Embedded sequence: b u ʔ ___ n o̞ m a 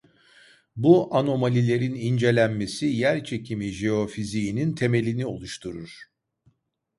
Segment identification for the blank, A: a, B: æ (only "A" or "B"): A